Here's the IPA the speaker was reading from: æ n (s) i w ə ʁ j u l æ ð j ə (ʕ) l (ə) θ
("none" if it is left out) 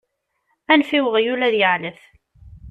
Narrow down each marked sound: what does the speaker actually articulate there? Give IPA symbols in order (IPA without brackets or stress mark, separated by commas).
f, ʕ, ə